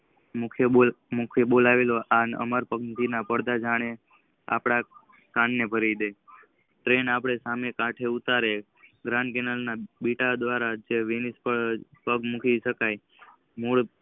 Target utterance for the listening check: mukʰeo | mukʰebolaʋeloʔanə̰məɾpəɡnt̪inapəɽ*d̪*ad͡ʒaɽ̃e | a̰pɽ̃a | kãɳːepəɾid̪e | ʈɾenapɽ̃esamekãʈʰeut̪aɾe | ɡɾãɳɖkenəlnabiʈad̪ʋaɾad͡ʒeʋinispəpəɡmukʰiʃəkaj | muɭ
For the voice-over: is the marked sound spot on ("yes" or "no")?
yes